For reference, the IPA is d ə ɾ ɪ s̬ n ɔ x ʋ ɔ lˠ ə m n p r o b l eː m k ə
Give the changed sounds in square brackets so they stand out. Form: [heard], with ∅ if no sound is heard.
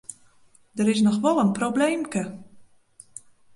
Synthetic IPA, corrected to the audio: d ə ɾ ɪ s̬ n ɔ x ʋ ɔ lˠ ə [∅] n p r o b l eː m k ə